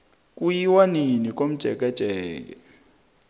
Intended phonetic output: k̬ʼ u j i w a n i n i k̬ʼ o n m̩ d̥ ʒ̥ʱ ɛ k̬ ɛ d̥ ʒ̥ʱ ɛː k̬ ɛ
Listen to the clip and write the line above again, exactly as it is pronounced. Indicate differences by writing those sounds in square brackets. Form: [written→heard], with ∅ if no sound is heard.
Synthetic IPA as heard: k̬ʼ u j i w a n i n i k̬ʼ o [n→∅] m̩ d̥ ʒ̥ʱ ɛ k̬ ɛ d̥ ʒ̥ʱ ɛː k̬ ɛ